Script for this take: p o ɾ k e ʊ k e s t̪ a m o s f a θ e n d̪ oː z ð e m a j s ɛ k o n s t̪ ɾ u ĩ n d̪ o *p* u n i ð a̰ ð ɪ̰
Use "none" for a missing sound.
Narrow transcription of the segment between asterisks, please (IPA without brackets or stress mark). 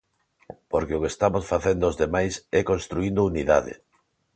none